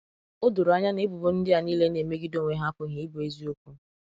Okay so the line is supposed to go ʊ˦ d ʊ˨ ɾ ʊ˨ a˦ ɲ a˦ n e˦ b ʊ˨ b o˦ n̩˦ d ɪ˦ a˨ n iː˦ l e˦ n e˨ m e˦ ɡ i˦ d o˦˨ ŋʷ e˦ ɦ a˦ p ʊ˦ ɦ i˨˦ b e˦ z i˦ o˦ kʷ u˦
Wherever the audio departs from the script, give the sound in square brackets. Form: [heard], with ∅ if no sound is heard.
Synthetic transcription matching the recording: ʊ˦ d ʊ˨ ɾ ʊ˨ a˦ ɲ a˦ n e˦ b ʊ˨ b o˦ n̩˦ d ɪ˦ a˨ n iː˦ l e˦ n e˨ m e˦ ɡ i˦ d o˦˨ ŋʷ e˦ ɦ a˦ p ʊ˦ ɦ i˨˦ b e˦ z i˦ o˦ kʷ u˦